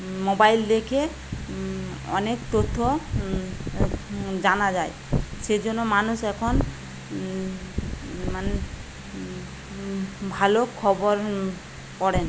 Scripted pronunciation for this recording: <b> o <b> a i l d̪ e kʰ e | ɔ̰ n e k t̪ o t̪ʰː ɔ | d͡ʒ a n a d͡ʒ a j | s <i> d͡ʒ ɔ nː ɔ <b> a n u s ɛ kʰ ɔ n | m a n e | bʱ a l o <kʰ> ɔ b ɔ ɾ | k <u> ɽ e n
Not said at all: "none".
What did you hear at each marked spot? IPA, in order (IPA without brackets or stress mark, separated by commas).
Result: m, b, e, m, kʰ, ɔ